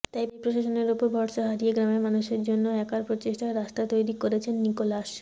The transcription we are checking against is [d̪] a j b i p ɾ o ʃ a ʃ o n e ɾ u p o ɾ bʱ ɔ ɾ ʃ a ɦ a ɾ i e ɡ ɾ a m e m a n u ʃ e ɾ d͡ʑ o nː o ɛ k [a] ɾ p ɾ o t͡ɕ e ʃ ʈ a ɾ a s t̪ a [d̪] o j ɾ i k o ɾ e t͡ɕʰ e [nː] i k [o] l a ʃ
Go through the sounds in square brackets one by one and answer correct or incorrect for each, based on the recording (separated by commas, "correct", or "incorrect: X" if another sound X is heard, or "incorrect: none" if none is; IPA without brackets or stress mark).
incorrect: t̪, correct, incorrect: t̪, correct, correct